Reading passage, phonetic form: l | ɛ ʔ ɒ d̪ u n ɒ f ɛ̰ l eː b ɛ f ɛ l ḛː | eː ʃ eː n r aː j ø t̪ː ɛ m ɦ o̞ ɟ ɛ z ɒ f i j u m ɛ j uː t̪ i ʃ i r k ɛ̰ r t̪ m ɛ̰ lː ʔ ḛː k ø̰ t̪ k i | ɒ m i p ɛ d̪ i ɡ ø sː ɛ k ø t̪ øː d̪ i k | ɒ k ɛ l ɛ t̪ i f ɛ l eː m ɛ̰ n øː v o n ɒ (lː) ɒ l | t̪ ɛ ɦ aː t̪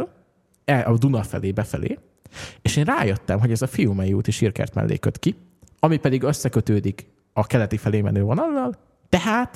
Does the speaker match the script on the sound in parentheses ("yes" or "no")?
yes